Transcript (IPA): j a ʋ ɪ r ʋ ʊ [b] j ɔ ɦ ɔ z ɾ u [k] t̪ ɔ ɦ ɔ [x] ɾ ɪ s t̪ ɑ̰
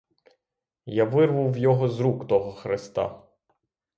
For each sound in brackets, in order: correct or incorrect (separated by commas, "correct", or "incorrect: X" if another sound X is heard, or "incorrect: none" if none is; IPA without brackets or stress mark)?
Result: incorrect: w, correct, correct